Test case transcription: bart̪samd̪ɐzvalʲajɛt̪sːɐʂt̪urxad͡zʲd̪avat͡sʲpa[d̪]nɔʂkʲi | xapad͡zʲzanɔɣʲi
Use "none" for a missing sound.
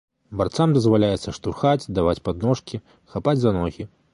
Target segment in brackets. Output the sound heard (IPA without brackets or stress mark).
d̪